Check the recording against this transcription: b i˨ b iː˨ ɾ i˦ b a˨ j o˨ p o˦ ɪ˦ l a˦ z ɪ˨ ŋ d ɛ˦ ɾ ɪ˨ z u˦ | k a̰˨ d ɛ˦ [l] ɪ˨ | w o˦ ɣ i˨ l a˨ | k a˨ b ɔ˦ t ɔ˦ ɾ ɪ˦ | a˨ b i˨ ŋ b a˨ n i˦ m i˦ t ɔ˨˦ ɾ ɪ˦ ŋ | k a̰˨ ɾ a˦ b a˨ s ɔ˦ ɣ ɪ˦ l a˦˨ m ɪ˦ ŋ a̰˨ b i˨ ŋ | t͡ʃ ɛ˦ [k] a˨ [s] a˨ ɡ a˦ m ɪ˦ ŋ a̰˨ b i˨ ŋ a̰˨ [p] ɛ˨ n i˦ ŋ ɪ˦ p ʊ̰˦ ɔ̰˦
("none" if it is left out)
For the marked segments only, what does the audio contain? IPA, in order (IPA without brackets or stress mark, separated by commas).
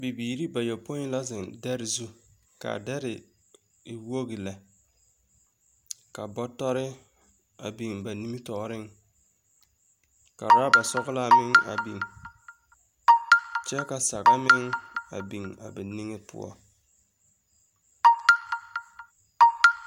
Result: ɾ, k, s, b